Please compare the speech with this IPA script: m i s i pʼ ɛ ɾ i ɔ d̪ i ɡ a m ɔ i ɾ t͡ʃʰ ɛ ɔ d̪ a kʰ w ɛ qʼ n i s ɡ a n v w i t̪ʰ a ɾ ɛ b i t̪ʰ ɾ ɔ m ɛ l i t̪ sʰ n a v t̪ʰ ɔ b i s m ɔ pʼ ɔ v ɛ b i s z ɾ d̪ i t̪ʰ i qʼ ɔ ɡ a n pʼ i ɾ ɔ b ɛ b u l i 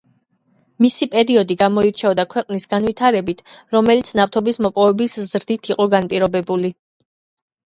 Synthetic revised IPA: m i s i pʼ ɛ ɾ i ɔ d̪ i ɡ a m ɔ i ɾ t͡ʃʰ ɛ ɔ d̪ a kʰ w ɛ qʼ n i s ɡ a n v w i t̪ʰ a ɾ ɛ b i t̪ʰ ɾ ɔ m ɛ l i t̪ sʰ n a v t̪ʰ ɔ b i s m ɔ pʼ ɔ v ɛ b i s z ɾ d̪ i t̪ʰ i qʼ ɔ ɡ a n pʼ i ɾ ɔ b ɛ b u l i